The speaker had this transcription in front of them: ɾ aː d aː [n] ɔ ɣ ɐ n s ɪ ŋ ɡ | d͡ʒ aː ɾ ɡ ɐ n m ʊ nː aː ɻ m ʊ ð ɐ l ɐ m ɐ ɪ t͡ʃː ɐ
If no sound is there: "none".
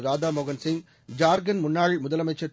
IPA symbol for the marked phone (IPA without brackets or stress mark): m